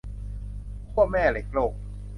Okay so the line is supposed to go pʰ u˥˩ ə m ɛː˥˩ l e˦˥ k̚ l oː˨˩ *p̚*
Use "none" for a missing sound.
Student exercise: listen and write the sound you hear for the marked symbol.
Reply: k̚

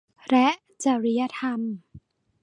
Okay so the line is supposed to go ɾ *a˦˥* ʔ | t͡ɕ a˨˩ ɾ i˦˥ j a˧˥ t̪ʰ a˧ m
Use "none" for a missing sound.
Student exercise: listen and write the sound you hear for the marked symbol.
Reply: ɛ˦˥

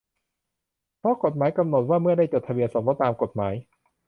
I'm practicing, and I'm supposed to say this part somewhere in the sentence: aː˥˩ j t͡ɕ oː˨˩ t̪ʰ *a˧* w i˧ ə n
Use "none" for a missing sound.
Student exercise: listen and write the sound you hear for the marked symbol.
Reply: a˧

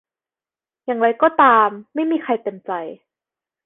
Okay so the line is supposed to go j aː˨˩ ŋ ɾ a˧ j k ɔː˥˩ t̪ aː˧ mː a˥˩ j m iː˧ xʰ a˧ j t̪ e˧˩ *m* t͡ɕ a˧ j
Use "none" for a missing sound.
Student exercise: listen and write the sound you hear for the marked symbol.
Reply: m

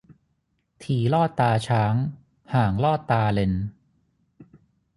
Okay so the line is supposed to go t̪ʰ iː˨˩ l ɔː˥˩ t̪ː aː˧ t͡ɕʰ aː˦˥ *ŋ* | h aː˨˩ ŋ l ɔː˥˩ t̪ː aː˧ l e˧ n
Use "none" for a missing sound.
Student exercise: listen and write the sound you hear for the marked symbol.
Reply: ŋ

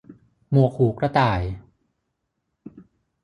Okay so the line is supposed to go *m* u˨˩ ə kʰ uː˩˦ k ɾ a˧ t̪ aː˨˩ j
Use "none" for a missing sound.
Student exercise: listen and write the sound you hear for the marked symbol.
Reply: m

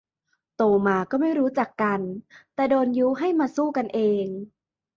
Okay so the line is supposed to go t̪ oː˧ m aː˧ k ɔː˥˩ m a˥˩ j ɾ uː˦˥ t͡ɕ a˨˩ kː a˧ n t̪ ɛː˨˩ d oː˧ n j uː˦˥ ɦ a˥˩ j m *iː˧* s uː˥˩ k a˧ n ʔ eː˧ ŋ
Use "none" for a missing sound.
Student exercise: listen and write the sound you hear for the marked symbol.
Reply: aː˧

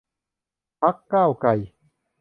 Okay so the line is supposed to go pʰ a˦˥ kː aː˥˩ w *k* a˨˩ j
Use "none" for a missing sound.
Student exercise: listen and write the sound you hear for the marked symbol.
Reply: k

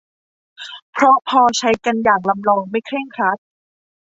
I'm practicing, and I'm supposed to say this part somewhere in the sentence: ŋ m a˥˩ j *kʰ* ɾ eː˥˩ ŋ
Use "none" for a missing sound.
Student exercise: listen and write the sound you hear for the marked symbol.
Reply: kʰ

